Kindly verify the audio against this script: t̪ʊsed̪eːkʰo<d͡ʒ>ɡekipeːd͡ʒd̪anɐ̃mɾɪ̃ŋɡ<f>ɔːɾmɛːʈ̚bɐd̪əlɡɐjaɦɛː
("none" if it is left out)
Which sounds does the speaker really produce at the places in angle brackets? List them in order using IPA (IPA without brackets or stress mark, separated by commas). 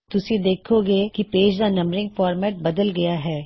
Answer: none, f